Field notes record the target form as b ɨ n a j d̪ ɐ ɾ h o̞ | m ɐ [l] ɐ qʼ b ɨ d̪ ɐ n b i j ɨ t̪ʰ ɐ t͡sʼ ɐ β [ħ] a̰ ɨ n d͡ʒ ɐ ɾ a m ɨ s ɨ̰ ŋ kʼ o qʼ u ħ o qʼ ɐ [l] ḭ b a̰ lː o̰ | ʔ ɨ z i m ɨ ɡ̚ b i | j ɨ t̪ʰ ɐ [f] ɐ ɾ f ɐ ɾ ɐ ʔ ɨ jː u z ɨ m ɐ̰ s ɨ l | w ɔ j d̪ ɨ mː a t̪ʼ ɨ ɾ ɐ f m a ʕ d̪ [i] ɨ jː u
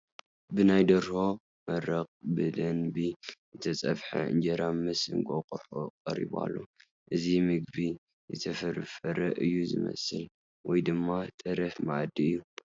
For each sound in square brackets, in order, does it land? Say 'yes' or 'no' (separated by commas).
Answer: no, yes, no, yes, yes